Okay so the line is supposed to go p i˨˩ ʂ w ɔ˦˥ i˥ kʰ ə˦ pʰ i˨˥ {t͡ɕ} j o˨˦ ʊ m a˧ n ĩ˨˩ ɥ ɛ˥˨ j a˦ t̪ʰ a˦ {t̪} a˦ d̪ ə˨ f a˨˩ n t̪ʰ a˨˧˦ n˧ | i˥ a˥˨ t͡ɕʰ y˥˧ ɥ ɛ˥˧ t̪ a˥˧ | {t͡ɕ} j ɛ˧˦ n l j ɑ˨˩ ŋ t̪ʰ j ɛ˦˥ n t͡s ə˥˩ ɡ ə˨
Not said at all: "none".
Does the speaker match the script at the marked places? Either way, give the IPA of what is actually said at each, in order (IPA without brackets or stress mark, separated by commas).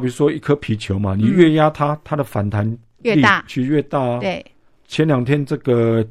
t͡ɕʰ, t̪ʰ, t͡ɕʰ